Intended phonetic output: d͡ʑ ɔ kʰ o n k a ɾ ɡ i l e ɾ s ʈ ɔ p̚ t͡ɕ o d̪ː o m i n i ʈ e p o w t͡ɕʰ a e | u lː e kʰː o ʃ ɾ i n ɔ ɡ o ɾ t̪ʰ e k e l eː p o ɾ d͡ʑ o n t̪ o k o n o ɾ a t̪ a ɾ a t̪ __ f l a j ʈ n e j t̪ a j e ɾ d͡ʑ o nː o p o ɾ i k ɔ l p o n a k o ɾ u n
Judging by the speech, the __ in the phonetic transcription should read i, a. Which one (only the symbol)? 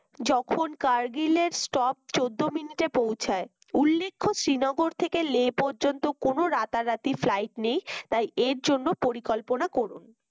i